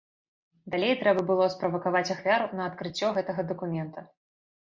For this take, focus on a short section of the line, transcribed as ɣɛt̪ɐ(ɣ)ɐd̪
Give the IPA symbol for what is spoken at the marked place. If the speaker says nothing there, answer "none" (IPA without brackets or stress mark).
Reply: ɣ